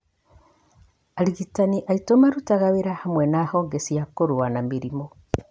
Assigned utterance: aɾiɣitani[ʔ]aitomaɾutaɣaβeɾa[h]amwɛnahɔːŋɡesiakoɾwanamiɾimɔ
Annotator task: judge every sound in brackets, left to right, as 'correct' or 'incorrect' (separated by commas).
correct, correct